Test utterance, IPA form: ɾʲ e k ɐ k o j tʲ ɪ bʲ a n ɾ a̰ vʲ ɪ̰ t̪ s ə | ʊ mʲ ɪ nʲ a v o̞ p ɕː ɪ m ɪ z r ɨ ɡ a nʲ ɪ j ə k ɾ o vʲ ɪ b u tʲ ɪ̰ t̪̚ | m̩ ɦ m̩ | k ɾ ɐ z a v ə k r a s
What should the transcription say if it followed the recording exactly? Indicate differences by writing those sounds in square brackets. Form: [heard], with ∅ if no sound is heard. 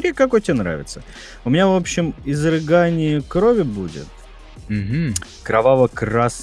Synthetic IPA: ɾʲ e k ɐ k o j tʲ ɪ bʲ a n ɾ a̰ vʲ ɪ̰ t̪ s ə | ʊ mʲ ɪ nʲ a v o̞ p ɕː ɪ m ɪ z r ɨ ɡ a nʲ ɪ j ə k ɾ o vʲ ɪ b u [dʲ] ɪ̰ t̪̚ | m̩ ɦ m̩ | k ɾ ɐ [v] a v ə k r a s